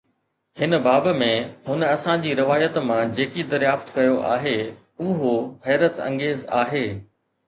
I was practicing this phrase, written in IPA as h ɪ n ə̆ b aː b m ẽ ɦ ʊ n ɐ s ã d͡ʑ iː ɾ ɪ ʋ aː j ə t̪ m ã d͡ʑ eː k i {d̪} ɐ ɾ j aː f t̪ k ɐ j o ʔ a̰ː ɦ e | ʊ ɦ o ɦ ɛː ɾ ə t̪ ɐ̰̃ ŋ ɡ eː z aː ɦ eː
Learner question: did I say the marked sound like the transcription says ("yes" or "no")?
yes